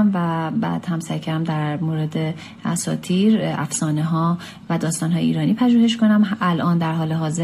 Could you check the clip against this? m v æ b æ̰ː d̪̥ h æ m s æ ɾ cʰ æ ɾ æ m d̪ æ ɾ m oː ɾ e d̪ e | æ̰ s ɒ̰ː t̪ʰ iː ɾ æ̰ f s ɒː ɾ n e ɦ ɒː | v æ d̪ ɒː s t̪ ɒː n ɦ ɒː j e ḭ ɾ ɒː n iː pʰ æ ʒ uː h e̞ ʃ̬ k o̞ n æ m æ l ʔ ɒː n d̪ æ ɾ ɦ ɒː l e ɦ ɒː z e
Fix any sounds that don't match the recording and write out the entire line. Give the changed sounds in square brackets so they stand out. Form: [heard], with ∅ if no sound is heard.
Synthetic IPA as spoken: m v æ b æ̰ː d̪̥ h æ m s æ ɾ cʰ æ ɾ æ m d̪ æ ɾ m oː ɾ e d̪ e | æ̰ s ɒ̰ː t̪ʰ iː ɾ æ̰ f s ɒː [∅] n e ɦ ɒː | v æ d̪ ɒː s t̪ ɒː n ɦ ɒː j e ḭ ɾ ɒː n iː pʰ æ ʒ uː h e̞ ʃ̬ k o̞ n æ m æ l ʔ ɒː n d̪ æ ɾ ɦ ɒː l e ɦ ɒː z e